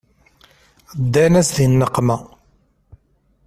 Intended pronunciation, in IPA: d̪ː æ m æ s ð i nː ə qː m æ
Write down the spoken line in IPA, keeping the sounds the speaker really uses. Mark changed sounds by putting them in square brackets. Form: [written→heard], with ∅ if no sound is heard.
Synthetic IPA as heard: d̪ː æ [m→n] æ s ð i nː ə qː m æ